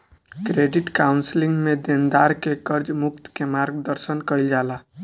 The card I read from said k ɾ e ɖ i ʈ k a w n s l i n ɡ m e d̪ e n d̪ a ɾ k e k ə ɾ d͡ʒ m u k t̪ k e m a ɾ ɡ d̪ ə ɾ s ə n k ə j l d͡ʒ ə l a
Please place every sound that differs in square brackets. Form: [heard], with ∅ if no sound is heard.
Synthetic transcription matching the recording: k ɾ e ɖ i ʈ k a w n s l i [ŋ] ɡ m e d̪ e n d̪ a ɾ k e k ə ɾ d͡ʒ m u k t̪ k e m a ɾ ɡ d̪ ə ɾ s ə n k ə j l d͡ʒ [a] l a